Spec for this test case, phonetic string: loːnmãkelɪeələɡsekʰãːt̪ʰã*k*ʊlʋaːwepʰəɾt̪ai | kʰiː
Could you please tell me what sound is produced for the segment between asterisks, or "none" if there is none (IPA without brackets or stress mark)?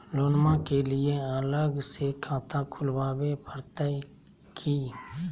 kʰ